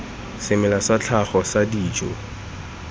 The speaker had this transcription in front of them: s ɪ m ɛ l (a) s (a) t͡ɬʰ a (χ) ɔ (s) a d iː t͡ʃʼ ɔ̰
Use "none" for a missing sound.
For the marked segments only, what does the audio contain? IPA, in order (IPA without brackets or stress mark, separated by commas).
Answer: a, a, χ, s